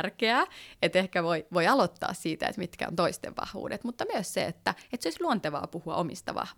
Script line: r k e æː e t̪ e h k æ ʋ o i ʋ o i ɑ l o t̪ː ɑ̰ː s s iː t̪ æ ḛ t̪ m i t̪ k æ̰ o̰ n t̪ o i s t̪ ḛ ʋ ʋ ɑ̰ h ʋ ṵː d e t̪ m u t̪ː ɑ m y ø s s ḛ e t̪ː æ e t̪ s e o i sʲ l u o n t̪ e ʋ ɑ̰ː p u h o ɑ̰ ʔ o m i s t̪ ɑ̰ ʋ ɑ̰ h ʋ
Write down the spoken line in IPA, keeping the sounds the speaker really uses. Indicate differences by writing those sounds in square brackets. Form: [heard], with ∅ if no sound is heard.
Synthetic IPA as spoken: r k e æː e t̪ e h k æ ʋ o i ʋ o i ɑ l o t̪ː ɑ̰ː s s iː t̪ æ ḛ t̪ m i t̪ k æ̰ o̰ n t̪ o i s t̪ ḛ ʋ ʋ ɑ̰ h ʋ ṵː d e t̪ m u t̪ː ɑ m y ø s s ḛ e t̪ː æ e t̪ s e o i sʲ l u o n t̪ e ʋ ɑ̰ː p u h [u] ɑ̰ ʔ o m i s t̪ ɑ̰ ʋ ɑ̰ h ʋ